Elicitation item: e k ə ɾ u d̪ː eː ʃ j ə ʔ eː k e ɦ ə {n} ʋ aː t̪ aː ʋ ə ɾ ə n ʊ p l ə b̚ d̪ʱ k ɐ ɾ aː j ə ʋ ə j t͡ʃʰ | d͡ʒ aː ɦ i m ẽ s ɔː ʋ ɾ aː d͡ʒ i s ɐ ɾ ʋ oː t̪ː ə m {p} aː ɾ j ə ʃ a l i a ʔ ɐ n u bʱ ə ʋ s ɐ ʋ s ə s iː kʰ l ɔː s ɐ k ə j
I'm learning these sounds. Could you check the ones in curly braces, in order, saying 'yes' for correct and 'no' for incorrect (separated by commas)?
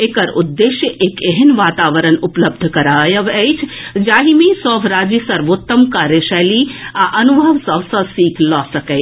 yes, no